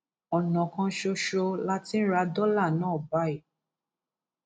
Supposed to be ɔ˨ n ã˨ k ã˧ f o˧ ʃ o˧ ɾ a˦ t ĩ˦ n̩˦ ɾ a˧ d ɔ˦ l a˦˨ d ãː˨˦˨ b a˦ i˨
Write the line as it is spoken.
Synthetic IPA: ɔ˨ n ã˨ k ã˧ ʃ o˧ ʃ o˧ l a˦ t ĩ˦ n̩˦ ɾ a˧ d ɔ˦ l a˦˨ n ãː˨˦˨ b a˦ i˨